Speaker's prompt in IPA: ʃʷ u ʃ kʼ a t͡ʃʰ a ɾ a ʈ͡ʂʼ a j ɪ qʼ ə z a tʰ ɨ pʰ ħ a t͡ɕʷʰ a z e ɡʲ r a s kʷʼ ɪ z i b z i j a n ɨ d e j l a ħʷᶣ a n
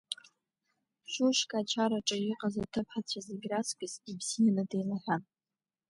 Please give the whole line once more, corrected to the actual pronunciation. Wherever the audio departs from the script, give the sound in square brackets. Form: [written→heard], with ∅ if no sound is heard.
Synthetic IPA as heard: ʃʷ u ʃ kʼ a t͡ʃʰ a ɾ a ʈ͡ʂʼ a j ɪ qʼ [ə→a] z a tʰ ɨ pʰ ħ a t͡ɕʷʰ a z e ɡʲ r a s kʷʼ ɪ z i b z i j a n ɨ d e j l a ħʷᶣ a n

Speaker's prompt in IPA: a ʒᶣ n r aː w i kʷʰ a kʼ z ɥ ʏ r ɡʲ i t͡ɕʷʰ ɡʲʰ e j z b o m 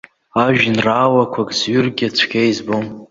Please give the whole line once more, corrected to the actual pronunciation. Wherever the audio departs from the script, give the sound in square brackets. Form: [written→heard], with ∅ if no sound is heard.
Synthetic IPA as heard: a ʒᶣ n r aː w [i→a] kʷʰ a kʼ z ɥ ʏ r ɡʲ [i→a] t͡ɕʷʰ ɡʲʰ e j z b o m

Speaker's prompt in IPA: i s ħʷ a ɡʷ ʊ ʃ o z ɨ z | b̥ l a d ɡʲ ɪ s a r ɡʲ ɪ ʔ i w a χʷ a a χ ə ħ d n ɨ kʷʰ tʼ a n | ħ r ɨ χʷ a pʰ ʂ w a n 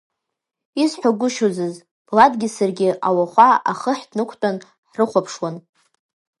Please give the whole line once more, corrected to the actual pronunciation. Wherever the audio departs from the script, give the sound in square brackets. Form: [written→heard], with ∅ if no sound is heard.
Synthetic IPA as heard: i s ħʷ a ɡʷ ʊ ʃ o z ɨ z | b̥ l a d ɡʲ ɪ s a r ɡʲ ɪ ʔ [i→a] w a χʷ a a χ ə ħ d n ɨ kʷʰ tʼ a n | ħ r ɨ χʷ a pʰ ʂ w a n

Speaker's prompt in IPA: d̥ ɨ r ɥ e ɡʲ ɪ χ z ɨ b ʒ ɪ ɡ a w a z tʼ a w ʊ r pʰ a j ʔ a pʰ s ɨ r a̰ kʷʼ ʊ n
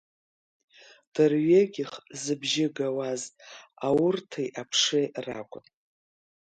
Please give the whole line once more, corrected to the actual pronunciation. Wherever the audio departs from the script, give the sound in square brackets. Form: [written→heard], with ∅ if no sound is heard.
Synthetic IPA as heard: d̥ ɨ r ɥ e ɡʲ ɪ χ z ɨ b ʒ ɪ ɡ a w a z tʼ a w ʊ r [pʰ→tʰ] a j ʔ a pʰ [s→ʂ] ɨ r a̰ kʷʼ ʊ n

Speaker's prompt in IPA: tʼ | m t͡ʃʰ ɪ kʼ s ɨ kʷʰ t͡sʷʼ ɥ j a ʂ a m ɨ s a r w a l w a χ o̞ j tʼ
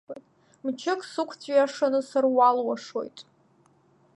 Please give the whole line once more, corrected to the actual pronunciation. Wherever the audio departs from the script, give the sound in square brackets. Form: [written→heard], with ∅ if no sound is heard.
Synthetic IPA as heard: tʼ | m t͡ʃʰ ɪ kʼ s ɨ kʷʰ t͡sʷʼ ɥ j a ʂ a [m→n] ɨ s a r w a l w a [χ→ʂ] o̞ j tʼ

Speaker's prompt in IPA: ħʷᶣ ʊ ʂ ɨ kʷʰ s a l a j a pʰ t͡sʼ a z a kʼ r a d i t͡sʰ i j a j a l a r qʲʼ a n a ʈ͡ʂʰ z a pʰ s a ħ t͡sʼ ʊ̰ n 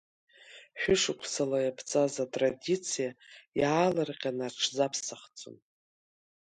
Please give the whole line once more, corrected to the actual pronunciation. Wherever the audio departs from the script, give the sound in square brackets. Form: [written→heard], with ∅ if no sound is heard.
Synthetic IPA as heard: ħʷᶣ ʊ ʂ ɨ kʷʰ s a l a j a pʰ t͡sʼ a z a [kʼ→tʼ] r a d i t͡sʰ i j a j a l a r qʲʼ a n a ʈ͡ʂʰ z a pʰ s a [ħ→χ] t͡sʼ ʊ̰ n

